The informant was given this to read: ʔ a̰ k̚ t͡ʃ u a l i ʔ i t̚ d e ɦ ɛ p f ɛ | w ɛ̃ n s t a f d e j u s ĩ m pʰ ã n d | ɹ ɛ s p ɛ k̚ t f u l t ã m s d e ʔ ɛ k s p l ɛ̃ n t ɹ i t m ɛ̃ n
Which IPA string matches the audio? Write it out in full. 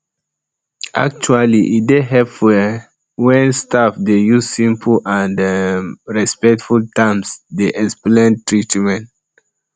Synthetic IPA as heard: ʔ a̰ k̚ t͡ʃ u a l i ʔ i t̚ d e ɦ ɛ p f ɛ | w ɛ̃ n s t a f d e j u s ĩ m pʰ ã n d | ɹ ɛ s p ɛ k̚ t f u l t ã m s d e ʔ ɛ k s p l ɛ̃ n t ɹ i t m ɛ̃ n

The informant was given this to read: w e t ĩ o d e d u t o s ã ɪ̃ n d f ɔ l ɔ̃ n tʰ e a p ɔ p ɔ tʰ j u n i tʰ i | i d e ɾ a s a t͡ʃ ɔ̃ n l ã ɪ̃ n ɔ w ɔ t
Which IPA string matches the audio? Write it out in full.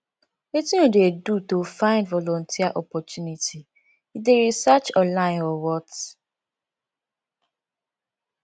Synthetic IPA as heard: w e t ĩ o d e d u t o f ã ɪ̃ n d v ɔ l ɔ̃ n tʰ i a ʔ ɔ p ɔ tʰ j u n i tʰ i | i d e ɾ i s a t͡ʃ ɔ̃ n l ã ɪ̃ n ɔ w ɔ t

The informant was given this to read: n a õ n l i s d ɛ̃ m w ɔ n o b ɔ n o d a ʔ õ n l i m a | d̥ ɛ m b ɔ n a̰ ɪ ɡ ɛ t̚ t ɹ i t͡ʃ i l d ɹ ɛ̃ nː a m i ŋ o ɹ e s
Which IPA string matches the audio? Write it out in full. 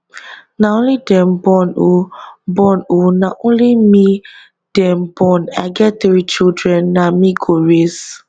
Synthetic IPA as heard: n a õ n l i d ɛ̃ m b ɔ n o b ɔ n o n a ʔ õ n l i m i | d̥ ɛ m b ɔ n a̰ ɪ ɡ ɛ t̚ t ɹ i t͡ʃ i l d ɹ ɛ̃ nː a m i ɡ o ɹ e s

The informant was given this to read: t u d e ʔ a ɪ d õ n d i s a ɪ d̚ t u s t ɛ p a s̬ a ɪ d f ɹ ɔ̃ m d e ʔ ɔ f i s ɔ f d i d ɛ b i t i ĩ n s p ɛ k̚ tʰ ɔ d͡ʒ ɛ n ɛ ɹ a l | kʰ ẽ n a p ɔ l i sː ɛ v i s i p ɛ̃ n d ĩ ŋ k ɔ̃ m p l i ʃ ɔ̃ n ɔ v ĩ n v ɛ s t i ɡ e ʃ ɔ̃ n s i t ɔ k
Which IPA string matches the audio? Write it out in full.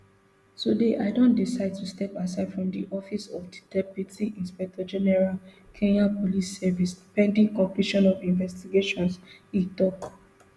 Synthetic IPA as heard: t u d e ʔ a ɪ d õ n d i s a ɪ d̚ t u s t ɛ p a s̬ a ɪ d f ɹ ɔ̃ m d i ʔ ɔ f i s ɔ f d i d ɛ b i t i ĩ n s p ɛ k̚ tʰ ɔ d͡ʒ ɛ n ɛ ɹ a l | kʰ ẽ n a p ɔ l i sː ɛ v i s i p ɛ̃ n d ĩ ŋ k ɔ̃ m p l i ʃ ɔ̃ n ɔ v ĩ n v ɛ s t i ɡ e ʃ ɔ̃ n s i t ɔ k

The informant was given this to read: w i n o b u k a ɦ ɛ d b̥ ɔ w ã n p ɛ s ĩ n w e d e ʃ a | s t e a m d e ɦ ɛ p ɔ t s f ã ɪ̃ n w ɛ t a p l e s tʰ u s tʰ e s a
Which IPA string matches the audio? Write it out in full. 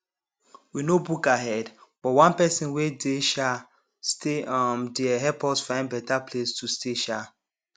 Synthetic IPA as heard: w i n o b u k a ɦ ɛ d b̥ ɔ w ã n p ɛ s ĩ n w e d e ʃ a | s t e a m d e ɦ ɛ p ɔ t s f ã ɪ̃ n b ɛ t a p l e s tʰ u s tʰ e ʃ a

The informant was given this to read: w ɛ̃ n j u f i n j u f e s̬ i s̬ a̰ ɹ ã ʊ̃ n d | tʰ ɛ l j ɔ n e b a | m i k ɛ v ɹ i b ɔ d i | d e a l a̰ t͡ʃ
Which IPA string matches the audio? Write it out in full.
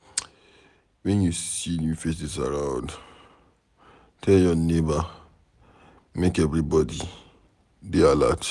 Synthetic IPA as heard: w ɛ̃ n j u s i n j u f e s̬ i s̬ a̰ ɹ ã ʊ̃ n d | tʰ ɛ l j ɔ n e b a | m e k ɛ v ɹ i b ɔ d i | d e a l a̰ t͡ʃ

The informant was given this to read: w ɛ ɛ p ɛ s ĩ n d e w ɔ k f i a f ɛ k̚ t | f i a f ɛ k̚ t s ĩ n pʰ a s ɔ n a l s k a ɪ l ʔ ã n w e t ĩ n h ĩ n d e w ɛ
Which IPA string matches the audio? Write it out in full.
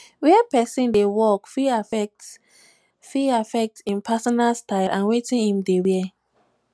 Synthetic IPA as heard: w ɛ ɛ p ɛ s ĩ n d e w ɔ k f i a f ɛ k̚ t | f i a f ɛ k̚ t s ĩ n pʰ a s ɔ n a l s t a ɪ l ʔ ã n w e t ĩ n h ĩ m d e w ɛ

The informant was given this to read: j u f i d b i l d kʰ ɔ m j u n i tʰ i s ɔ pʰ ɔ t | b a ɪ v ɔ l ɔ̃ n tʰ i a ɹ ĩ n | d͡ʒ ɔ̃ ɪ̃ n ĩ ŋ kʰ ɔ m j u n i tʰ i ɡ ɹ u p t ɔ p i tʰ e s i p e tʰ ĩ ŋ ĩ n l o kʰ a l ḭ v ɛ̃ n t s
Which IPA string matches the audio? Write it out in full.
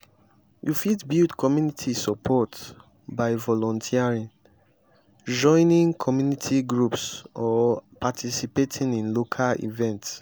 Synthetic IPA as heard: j u f i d b i l d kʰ ɔ m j u n i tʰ i s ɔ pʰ ɔ t | b a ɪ v ɔ l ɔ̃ n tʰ i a ɹ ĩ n | d͡ʒ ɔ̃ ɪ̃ n ĩ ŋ kʰ ɔ m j u n i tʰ i ɡ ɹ u p s ɔ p a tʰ i s i p e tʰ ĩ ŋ ĩ n l o kʰ a l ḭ v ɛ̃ n t s

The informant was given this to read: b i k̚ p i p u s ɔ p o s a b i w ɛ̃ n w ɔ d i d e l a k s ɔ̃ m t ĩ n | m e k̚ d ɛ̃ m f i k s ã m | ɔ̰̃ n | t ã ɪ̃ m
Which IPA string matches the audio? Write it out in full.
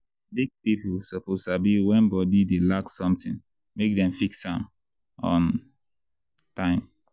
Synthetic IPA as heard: b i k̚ p i p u s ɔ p o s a b i w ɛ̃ n b ɔ d i d e l a k s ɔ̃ m t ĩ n | m e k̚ d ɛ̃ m f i k s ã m | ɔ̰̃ n | t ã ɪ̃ m

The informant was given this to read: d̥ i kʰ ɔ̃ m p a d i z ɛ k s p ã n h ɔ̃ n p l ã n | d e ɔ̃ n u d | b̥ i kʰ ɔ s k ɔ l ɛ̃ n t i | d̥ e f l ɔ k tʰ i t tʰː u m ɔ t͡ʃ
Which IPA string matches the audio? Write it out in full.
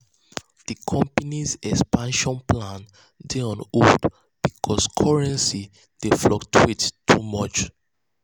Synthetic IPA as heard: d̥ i kʰ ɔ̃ m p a n i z ɛ k s p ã n ʃ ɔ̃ n p l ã n | d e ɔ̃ n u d | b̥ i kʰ ɔ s kʰ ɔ ɹ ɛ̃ n s i | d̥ e f l ɔ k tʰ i t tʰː u m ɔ t͡ʃ

